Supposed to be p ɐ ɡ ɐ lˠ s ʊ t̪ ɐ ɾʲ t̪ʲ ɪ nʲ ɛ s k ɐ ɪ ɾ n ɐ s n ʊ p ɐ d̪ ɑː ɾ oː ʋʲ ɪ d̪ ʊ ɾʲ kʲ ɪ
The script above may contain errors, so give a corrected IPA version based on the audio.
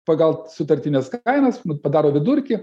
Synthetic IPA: p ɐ ɡ ɐ lˠ s ʊ t̪ ɐ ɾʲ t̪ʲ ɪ nʲ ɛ s k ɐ ɪ n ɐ s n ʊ p ɐ d̪ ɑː ɾ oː ʋʲ ɪ d̪ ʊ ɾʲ kʲ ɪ

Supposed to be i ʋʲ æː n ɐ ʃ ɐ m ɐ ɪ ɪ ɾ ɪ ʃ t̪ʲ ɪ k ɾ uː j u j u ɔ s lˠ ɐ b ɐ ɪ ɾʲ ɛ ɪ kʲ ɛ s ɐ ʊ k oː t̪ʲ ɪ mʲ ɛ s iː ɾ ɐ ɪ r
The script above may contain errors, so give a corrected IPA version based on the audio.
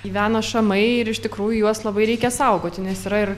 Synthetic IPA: i ʋʲ æː n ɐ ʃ ɐ m ɐ ɪ ɪ ɾ ɪ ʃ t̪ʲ ɪ k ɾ uː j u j u ɔ s lˠ ɐ b ɐ ɪ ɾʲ ɛ ɪ kʲ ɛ s ɐ ʊ ɡ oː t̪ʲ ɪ nʲ ɛ s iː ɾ ɐ ɪ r

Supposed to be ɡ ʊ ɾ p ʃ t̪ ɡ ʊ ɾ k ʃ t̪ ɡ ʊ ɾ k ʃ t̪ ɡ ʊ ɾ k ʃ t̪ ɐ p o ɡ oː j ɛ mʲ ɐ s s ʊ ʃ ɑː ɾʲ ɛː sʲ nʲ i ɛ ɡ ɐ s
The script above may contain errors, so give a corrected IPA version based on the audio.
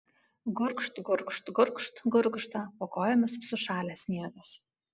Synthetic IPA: ɡ ʊ ɾ k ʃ t̪ ɡ ʊ ɾ k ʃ t̪ ɡ ʊ ɾ k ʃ t̪ ɡ ʊ ɾ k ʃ t̪ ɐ p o k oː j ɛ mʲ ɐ s s ʊ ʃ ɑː lʲ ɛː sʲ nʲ i ɛ ɡ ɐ s

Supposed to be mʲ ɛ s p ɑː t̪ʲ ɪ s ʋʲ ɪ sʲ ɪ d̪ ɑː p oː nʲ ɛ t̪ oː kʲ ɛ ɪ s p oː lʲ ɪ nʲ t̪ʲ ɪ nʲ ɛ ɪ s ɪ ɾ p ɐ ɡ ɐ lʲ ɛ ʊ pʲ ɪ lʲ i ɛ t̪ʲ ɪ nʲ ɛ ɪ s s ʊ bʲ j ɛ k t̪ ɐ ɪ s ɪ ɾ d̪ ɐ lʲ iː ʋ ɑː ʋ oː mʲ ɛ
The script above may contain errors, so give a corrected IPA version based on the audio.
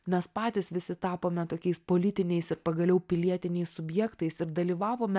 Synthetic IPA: mʲ ɛ s p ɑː t̪ʲ ɪ s ʋʲ ɪ sʲ ɪ t̪ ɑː p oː mʲ ɛ t̪ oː kʲ ɛ ɪ s p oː lʲ ɪ t̪ʲ ɪ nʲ ɛ ɪ s ɪ ɾ p ɐ ɡ ɐ lʲ ɛ ʊ pʲ ɪ lʲ i ɛ t̪ʲ ɪ nʲ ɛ ɪ s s ʊ bʲ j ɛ k t̪ ɐ ɪ s ɪ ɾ d̪ ɐ lʲ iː ʋ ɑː ʋ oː mʲ ɛ

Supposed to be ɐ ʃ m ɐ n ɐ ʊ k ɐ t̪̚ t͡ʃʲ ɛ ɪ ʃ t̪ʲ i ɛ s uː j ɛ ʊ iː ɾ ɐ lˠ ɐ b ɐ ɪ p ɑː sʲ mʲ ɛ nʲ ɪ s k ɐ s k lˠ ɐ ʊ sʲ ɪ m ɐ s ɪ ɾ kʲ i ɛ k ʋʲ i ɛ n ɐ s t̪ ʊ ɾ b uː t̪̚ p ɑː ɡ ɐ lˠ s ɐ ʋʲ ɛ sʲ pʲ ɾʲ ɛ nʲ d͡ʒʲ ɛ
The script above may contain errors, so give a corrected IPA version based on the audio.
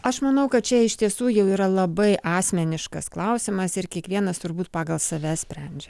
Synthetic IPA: ɐ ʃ m ɐ n ɐ ʊ k ɐ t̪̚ t͡ʃʲ ɛ ɪ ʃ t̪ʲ i ɛ s uː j ɛ ʊ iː ɾ ɐ lˠ ɐ b ɐ ɪ ʔ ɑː sʲ mʲ ɛ nʲ ɪ ʃ k ɐ s k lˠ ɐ ʊ sʲ ɪ m ɐ s ɪ ɾ kʲ i ɛ k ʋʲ i ɛ n ɐ s t̪ ʊ ɾ b uː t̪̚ p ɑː ɡ ɐ lˠ s ɐ ʋʲ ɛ sʲ pʲ ɾʲ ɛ nʲ d͡ʒʲ ɛ

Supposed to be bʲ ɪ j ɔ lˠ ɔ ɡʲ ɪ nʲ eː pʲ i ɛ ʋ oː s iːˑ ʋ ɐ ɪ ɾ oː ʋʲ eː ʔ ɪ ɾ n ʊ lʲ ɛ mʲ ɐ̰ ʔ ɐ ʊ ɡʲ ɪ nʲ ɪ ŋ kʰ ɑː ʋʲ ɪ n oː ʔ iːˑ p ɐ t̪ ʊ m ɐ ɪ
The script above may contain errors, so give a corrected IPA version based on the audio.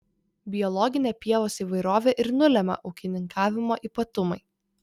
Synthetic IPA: bʲ ɪ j ɔ lˠ ɔ ɡʲ ɪ nʲ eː pʲ i ɛ ʋ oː s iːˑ ʋ ɐ ɪ ɾ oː ʋʲ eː ʔ ɪ ɾ n ʊ lʲ ɛ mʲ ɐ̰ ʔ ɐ ʊ kʲ ɪ nʲ ɪ ŋ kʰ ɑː ʋʲ ɪ m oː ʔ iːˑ p ɐ t̪ ʊ m ɐ ɪ

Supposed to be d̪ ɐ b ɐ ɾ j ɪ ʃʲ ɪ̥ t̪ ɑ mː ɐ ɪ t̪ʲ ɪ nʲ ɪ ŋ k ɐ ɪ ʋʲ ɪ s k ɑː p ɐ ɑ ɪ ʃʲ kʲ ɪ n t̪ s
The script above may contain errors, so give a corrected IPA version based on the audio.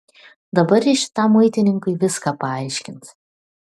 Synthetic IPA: d̪ ɐ b ɐ ɾ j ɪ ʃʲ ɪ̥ t̪ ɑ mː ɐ ɪ t̪ʲ ɪ nʲ ɪ ŋ k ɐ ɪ ʋʲ ɪ s k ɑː p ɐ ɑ ɪ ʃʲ kʲ ɪ n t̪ s

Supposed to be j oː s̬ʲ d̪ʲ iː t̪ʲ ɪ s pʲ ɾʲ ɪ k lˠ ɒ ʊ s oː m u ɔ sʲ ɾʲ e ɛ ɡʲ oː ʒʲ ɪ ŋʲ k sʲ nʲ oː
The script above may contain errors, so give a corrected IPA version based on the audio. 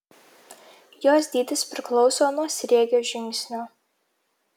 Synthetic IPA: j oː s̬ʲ d̪ʲ iː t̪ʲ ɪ s pʲ ɾʲ ɪ k lˠ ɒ ʊ s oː n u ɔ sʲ ɾʲ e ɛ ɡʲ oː ʒʲ ɪ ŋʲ k sʲ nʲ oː

